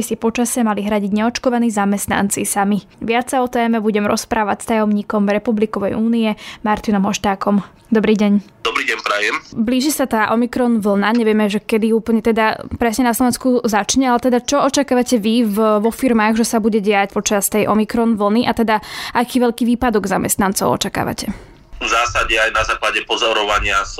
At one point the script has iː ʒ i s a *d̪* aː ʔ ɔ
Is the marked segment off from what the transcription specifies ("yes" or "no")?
yes